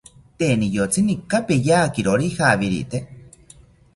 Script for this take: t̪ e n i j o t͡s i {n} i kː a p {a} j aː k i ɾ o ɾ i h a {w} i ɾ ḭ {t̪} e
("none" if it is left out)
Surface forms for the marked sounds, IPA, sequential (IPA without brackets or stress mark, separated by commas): n, e, β, t̪